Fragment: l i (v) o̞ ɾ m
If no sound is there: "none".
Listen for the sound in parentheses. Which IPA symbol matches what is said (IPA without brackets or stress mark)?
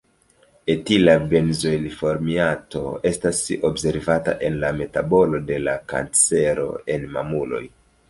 f